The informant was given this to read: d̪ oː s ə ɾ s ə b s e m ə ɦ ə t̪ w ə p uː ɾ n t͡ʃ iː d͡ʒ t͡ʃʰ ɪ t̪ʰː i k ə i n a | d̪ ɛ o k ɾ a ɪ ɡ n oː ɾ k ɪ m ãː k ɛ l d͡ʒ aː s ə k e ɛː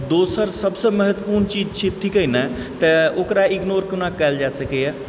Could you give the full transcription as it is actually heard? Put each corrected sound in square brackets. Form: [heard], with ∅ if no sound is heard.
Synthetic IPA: d̪ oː s ə ɾ s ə b s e m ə ɦ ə t̪ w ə p uː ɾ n t͡ʃ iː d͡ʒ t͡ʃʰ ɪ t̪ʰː i k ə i n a | [t̪] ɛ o k ɾ a ɪ ɡ n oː ɾ k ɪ [n] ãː k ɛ l d͡ʒ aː s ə k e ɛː